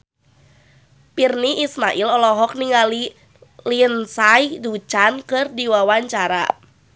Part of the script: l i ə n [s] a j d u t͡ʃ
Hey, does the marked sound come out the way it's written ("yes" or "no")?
yes